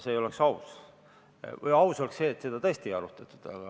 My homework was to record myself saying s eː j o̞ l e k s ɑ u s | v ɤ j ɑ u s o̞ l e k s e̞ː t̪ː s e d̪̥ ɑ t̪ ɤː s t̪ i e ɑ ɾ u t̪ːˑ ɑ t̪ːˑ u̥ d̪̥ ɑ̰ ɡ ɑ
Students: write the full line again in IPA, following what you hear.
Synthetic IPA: s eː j o̞ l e k s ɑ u s | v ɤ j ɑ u s o̞ l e k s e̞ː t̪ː s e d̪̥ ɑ t̪ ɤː s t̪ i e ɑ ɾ u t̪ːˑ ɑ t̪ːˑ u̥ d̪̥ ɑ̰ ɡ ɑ